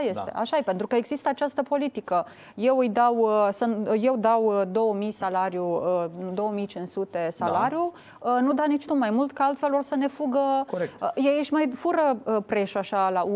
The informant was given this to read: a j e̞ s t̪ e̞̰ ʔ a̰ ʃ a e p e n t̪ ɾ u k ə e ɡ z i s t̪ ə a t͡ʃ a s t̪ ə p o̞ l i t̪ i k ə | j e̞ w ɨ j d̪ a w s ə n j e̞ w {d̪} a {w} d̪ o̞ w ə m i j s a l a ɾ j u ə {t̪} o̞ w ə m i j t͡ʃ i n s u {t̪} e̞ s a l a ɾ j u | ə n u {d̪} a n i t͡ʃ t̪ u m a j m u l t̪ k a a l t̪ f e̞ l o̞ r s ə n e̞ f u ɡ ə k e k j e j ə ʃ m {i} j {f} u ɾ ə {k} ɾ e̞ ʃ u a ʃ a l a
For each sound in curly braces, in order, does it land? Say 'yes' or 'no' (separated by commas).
yes, yes, no, yes, yes, no, yes, no